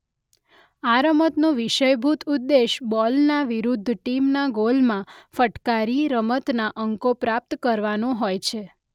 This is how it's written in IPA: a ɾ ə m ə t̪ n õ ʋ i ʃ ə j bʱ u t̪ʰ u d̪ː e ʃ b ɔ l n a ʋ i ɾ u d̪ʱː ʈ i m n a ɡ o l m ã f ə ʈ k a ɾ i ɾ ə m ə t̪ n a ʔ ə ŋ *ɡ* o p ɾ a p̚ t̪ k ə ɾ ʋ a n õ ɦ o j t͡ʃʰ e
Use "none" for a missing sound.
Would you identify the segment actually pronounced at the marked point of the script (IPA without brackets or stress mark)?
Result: k